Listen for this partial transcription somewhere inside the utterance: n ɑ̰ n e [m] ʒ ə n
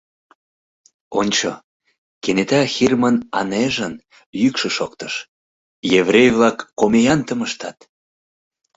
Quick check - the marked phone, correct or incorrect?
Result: incorrect